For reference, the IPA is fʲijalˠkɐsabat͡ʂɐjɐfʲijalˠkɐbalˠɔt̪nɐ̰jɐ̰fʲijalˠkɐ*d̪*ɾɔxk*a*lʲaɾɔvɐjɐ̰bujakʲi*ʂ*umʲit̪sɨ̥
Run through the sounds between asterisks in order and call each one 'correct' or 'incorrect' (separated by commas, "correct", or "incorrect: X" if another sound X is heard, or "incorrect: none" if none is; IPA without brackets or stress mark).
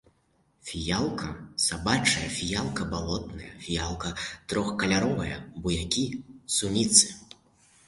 incorrect: t̪, incorrect: ɐ, incorrect: s